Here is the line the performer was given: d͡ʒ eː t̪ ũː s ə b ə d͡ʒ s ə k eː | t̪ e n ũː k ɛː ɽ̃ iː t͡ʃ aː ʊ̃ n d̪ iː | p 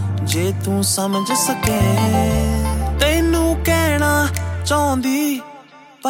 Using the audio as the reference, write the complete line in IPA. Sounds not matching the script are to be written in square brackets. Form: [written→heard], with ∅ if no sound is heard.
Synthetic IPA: d͡ʒ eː t̪ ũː s ə [b→m] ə d͡ʒ s ə k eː | t̪ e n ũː k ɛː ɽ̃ [iː→aː] t͡ʃ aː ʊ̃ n d̪ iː | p